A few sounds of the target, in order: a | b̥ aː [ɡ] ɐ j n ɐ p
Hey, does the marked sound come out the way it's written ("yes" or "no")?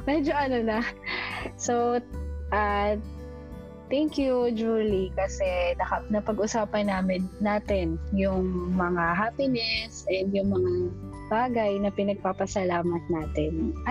yes